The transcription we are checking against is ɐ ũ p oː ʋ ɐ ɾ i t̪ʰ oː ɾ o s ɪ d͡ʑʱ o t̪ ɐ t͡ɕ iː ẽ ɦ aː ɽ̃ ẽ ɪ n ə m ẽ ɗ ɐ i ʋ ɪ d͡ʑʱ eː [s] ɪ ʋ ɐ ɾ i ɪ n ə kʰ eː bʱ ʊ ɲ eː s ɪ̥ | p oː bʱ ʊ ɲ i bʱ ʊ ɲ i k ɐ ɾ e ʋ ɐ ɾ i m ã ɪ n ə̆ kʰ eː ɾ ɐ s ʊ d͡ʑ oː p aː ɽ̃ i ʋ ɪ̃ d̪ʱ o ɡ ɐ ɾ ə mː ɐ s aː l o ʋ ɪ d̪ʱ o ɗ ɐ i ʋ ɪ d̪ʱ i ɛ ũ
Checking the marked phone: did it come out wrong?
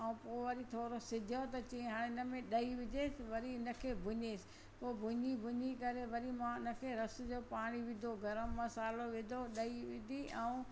no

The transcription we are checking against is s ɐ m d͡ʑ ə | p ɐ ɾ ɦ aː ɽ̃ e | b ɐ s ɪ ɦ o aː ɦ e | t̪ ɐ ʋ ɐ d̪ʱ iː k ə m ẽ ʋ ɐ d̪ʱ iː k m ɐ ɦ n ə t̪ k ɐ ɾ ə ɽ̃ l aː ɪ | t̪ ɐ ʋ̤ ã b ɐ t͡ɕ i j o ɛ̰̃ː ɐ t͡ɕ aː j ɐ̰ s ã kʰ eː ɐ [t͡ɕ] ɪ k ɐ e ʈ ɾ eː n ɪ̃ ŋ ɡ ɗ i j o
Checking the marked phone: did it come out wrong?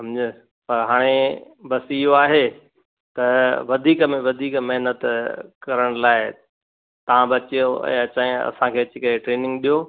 no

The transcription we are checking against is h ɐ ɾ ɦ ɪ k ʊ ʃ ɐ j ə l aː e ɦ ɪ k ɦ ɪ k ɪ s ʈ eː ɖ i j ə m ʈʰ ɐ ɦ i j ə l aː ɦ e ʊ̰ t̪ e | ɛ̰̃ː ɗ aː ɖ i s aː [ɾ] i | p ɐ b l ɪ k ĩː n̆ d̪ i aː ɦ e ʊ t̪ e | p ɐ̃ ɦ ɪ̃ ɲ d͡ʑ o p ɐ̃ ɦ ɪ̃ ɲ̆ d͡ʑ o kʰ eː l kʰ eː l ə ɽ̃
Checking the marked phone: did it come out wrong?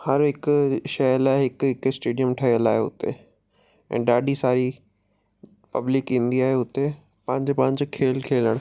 no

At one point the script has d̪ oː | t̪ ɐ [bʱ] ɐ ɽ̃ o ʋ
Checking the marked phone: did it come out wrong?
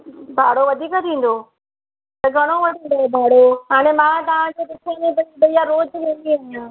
yes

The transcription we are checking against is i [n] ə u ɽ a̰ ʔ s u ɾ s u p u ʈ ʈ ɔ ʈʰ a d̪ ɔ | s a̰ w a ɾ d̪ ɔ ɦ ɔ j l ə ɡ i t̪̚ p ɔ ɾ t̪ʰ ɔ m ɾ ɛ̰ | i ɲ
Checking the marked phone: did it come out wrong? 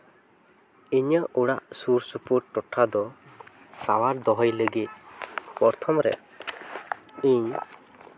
yes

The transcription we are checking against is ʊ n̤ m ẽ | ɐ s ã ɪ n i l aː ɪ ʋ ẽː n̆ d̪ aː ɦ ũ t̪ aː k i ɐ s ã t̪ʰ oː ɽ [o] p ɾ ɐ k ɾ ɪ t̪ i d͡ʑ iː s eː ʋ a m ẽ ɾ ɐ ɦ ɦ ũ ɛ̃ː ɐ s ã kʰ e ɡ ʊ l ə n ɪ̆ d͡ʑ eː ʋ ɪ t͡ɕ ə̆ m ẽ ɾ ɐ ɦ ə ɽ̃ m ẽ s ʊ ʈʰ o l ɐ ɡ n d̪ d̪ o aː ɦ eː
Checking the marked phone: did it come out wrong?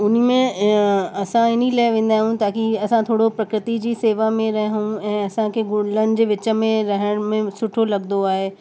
no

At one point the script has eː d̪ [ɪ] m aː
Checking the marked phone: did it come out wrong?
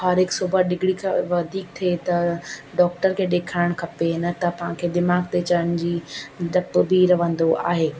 no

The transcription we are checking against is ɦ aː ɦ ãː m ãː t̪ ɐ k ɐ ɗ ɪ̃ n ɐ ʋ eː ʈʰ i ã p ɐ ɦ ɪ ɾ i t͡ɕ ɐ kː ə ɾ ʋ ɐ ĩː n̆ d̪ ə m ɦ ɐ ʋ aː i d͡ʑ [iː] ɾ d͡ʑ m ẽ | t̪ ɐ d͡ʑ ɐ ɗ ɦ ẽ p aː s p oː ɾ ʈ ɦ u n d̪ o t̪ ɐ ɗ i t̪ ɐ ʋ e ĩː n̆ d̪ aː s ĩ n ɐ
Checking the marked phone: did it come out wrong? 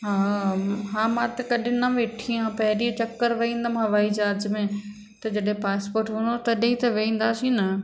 yes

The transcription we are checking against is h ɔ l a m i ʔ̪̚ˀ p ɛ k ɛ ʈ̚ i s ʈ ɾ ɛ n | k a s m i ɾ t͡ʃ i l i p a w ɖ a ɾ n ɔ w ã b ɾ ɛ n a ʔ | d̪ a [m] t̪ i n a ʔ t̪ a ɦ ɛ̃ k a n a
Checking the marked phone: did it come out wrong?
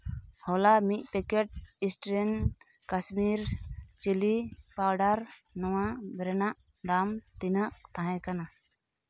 no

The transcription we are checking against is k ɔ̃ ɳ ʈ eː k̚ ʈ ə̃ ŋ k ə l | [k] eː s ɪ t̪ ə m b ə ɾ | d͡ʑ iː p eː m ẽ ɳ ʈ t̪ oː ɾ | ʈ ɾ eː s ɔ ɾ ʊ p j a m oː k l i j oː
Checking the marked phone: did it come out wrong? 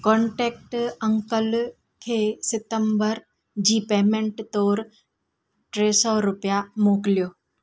yes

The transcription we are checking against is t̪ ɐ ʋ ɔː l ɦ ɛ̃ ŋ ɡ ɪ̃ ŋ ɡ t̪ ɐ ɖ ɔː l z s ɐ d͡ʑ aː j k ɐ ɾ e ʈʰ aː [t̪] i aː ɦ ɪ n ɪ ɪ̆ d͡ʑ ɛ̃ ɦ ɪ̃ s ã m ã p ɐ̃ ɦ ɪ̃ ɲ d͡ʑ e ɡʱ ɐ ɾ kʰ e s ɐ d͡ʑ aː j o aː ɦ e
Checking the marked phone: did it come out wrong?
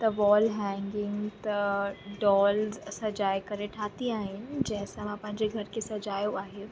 no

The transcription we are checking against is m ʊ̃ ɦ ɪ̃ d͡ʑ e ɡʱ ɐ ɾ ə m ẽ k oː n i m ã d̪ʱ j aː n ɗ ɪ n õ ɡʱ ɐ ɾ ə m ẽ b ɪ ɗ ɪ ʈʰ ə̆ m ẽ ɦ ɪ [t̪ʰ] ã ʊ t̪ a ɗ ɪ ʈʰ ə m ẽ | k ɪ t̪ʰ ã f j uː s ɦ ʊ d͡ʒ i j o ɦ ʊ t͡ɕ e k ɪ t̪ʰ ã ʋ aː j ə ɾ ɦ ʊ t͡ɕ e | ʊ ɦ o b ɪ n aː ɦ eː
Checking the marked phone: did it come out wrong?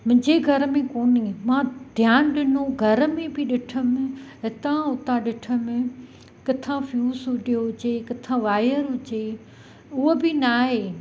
yes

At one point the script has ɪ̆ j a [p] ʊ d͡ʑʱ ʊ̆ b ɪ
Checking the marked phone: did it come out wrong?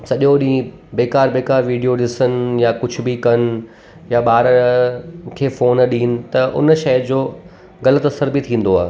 yes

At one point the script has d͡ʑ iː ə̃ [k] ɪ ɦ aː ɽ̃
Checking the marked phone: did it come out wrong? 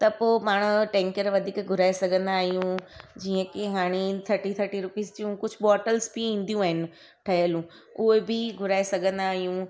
no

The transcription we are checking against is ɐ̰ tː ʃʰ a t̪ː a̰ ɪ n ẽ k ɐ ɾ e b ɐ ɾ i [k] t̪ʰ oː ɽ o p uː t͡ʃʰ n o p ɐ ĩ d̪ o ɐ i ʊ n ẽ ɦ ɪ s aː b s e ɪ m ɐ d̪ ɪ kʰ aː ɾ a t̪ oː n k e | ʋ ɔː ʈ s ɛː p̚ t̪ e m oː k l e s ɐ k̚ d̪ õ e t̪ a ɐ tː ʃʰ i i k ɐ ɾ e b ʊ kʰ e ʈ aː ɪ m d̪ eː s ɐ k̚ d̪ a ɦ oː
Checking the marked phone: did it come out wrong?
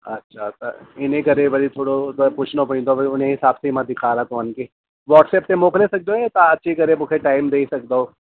yes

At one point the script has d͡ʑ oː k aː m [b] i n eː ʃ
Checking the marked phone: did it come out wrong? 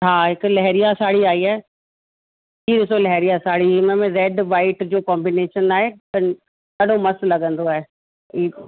no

